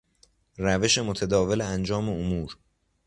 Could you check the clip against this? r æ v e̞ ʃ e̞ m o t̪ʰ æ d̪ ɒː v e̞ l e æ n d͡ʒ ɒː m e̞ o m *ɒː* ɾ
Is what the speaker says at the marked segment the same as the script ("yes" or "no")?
no